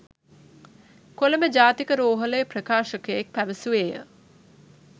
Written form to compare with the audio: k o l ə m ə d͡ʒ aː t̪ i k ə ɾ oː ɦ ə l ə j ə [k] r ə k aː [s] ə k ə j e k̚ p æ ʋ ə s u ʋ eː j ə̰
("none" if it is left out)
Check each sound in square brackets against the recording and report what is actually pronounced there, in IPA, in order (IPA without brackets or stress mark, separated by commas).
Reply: p, ʃ